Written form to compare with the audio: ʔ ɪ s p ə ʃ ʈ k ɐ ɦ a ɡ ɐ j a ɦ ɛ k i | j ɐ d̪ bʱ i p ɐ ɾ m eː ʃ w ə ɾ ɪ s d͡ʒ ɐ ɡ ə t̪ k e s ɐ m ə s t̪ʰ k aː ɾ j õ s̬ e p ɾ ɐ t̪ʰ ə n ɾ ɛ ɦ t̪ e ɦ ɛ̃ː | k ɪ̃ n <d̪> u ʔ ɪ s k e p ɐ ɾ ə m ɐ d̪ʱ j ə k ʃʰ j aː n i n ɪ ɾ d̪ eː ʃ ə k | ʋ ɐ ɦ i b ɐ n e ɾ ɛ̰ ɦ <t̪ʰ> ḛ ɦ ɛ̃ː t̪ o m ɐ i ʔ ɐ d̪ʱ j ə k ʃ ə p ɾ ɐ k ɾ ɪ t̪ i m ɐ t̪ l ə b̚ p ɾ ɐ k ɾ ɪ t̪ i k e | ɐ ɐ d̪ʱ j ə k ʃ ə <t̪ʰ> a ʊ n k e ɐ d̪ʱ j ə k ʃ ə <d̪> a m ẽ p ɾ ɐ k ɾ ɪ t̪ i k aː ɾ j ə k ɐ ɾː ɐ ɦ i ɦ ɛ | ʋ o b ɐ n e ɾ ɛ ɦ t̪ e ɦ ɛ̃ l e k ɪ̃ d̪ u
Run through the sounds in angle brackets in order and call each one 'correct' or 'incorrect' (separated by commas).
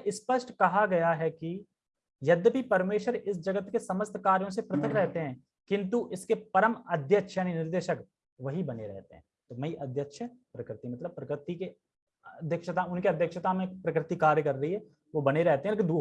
incorrect, incorrect, incorrect, incorrect